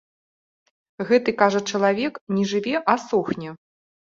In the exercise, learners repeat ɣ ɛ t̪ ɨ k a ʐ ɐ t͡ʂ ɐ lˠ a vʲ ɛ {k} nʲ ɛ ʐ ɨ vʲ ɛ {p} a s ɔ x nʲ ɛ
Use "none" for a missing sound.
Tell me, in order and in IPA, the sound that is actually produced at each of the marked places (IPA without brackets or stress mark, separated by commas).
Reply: k, ʔ